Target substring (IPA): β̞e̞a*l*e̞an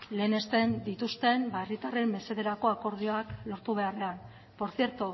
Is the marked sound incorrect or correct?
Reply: incorrect